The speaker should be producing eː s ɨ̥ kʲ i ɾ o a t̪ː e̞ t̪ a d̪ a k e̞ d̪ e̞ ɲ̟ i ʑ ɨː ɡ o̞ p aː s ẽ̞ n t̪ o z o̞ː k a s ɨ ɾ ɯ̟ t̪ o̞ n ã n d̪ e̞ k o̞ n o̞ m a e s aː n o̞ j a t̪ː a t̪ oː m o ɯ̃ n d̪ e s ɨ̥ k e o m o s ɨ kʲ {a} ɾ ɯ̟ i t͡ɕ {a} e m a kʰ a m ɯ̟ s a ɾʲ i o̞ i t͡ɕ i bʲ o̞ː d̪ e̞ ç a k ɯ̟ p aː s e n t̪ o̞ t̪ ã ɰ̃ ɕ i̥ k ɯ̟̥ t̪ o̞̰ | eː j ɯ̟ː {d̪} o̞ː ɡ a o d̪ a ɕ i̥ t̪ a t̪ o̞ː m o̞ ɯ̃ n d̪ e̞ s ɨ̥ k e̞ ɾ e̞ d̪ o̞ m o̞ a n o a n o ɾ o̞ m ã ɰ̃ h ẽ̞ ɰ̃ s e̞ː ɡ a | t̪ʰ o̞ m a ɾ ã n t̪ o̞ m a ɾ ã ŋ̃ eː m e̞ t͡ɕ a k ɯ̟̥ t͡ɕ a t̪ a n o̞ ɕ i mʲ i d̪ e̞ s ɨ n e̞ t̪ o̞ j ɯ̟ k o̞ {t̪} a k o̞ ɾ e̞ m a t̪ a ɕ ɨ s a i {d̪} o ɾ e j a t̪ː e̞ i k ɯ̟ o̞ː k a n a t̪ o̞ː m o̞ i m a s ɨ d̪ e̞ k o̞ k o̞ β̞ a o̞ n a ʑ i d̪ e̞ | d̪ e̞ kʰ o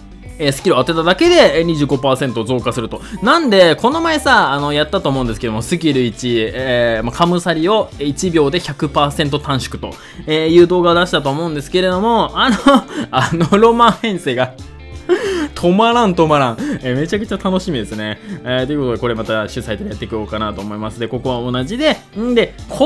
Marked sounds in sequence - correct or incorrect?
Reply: incorrect, incorrect, correct, correct, incorrect

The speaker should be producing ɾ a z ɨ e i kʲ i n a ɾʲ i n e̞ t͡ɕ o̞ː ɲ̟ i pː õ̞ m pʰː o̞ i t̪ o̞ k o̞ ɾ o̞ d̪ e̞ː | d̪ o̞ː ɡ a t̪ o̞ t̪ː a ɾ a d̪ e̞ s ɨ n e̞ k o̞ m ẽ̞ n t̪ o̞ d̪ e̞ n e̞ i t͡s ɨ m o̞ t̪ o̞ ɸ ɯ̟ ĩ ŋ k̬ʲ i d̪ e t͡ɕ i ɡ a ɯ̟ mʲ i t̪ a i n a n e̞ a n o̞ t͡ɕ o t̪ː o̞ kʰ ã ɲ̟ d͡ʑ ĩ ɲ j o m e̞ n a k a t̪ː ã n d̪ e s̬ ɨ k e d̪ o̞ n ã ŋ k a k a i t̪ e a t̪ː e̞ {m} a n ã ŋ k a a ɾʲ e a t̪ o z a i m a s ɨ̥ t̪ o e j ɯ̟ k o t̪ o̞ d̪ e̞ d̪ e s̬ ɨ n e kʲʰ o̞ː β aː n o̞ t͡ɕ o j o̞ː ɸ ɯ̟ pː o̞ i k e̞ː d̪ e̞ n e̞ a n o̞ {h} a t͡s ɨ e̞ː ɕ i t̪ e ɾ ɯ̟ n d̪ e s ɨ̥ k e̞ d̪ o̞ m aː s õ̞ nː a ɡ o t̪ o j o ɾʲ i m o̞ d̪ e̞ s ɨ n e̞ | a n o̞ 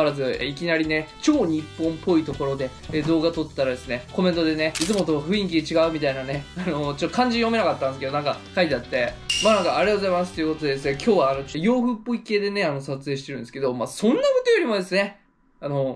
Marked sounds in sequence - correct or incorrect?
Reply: correct, incorrect

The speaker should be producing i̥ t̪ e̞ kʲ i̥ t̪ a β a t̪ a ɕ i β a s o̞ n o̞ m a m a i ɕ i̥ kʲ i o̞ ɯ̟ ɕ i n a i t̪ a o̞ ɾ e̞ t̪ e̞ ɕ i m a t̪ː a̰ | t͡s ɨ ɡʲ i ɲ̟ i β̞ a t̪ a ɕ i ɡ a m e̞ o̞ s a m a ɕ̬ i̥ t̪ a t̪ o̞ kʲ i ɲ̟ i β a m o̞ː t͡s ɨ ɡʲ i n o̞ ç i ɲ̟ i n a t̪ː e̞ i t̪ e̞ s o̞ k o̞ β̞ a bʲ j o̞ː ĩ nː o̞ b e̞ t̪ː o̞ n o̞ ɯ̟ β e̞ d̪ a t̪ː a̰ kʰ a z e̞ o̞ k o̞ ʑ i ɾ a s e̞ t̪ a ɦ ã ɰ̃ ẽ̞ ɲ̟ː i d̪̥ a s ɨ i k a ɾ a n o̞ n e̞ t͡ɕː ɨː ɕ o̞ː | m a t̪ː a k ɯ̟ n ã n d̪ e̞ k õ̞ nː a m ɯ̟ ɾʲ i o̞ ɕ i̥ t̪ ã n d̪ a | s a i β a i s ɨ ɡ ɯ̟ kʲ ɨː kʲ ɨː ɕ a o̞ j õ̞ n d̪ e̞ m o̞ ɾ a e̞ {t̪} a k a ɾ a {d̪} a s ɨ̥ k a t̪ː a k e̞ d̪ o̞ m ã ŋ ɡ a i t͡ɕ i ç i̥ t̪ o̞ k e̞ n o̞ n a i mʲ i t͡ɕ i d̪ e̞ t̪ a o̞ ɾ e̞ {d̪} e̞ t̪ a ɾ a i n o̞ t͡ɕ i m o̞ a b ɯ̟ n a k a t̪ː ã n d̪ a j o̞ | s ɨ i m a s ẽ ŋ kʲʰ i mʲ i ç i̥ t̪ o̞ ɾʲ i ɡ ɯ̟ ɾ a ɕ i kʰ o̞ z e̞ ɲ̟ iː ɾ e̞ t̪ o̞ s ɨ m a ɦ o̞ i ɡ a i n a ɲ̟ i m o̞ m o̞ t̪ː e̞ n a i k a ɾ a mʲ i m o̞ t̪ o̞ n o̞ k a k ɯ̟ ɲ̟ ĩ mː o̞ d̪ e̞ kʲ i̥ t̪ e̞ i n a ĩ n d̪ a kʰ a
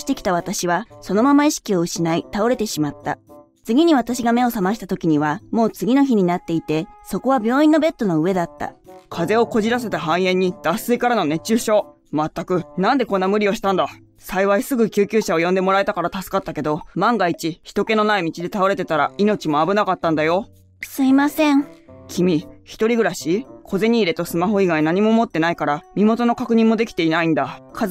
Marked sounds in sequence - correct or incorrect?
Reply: correct, incorrect, incorrect

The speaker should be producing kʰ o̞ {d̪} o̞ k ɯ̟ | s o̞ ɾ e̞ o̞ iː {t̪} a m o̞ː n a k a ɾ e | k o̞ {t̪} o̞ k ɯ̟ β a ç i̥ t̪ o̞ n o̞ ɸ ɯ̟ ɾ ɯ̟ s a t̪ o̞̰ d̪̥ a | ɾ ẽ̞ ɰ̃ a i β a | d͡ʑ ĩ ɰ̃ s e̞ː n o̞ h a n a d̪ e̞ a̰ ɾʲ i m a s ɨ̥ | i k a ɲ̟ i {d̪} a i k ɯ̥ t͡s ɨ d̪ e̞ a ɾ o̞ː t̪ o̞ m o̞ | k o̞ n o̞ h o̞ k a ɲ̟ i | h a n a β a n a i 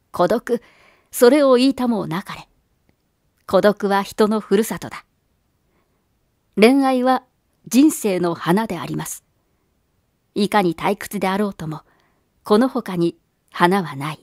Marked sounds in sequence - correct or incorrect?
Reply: correct, correct, incorrect, incorrect

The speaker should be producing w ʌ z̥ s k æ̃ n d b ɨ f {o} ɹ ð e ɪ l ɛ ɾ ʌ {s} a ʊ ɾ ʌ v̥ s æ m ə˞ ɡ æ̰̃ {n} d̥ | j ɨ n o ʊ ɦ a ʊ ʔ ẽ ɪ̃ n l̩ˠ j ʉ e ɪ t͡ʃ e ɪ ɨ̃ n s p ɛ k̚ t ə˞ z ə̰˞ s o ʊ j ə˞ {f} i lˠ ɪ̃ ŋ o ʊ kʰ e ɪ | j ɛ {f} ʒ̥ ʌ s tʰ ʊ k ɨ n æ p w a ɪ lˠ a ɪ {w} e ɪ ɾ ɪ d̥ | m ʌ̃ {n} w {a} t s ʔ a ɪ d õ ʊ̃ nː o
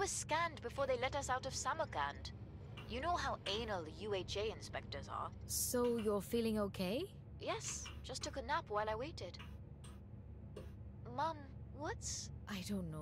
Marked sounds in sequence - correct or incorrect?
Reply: incorrect, correct, correct, correct, incorrect, correct, incorrect, incorrect

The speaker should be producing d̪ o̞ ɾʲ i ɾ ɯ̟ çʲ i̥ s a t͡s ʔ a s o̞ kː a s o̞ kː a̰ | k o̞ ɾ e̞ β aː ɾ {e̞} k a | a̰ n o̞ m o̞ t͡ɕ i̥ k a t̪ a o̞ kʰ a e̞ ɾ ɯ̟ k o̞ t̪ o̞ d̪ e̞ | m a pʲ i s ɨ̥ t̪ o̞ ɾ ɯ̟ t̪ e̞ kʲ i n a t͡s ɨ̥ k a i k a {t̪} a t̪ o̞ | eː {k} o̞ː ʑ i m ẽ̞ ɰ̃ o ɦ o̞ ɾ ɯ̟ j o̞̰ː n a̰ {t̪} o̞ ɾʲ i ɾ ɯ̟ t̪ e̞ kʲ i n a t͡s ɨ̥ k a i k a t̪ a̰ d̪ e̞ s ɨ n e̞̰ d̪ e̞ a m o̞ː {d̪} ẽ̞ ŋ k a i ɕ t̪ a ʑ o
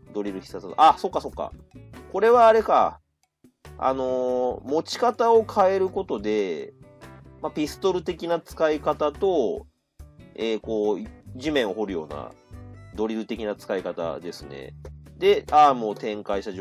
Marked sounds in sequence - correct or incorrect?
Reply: correct, correct, correct, incorrect, incorrect

